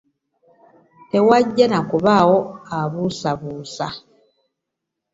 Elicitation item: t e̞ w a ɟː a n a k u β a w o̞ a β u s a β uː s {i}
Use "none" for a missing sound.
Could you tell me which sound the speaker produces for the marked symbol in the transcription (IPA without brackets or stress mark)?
a